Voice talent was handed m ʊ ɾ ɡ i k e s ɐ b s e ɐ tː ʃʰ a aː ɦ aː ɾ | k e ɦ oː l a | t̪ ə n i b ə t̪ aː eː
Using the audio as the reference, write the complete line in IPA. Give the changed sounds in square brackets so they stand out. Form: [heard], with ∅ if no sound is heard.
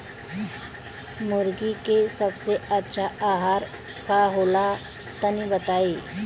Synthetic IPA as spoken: m ʊ ɾ ɡ i k e s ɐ b s e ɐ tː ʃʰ a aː ɦ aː ɾ | k [a] ɦ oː l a | t̪ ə n i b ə t̪ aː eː

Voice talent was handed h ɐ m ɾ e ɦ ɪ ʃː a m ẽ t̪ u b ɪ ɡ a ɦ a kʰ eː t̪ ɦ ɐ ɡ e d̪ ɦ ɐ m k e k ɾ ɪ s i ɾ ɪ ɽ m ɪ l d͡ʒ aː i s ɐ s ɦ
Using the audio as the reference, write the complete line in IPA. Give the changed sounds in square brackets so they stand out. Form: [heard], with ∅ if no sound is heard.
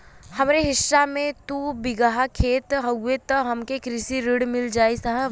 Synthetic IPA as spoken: h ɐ m ɾ e ɦ ɪ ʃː a m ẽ t̪ u b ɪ ɡ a ɦ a kʰ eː t̪ ɦ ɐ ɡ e [t̪] ɦ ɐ m k e k ɾ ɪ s i ɾ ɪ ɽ m ɪ l d͡ʒ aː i s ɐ [∅] ɦ

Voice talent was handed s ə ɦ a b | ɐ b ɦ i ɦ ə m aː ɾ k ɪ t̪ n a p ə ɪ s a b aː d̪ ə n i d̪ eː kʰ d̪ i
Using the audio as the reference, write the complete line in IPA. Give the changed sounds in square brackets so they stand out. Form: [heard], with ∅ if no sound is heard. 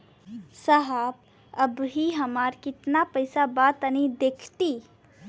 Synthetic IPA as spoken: s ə ɦ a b | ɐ b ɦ i ɦ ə m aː ɾ k ɪ t̪ n a p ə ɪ s a b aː [t̪] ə n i d̪ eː kʰ [t̪] i

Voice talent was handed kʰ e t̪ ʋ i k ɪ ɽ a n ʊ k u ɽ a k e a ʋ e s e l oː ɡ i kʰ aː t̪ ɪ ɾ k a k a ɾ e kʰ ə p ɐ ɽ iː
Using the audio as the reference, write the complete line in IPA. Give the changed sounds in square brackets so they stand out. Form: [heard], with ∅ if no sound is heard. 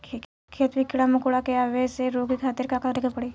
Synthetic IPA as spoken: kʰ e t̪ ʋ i k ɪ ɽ a [m] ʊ k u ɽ a k e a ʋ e s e [ɾ] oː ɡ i kʰ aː t̪ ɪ ɾ k a k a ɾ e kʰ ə p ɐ ɽ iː

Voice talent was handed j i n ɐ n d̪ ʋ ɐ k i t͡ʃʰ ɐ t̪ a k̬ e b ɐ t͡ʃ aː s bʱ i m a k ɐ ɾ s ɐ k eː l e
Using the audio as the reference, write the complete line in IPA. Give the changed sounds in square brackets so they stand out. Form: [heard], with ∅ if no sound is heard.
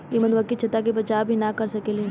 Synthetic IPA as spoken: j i [m] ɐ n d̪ ʋ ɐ k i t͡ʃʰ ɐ t̪ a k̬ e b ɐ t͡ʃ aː [∅] bʱ i [n] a k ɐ ɾ s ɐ k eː l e

